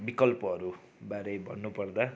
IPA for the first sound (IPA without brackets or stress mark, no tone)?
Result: b